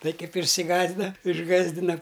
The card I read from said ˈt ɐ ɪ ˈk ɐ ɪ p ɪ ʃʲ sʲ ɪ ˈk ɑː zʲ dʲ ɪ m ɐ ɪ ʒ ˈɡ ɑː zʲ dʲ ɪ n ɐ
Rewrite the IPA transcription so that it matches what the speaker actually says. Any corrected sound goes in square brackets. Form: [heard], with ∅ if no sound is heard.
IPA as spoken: ˈt ɐ ɪ ˈk ɐ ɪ p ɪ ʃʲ sʲ ɪ [ˈɡ] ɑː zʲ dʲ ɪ [n] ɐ ɪ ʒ ˈɡ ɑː zʲ dʲ ɪ n ɐ